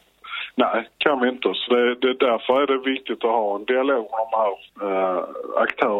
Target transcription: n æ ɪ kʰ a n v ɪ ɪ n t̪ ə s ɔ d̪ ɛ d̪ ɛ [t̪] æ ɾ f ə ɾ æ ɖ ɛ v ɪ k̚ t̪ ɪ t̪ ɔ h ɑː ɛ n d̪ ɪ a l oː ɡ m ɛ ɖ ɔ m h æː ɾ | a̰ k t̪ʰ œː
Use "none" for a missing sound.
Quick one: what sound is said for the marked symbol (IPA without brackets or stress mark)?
d̪